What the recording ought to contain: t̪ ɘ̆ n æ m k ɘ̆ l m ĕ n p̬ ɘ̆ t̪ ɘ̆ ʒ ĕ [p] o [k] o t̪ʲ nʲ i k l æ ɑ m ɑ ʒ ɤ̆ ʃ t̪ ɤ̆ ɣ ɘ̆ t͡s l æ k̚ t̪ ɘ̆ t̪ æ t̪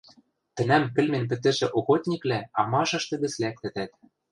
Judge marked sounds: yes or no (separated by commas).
no, no